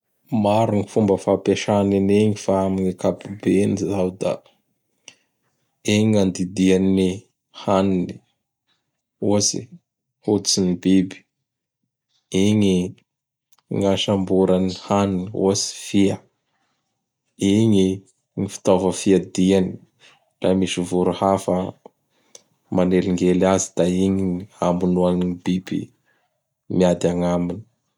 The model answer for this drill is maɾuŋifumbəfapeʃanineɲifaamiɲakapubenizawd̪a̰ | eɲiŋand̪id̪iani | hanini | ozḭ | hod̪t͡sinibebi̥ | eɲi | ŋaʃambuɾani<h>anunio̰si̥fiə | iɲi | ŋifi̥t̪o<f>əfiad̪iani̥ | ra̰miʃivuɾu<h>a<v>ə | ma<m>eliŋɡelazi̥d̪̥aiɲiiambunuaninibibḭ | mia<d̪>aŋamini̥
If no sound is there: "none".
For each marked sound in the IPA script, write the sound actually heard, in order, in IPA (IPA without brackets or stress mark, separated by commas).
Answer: h, v, h, f, n, d̪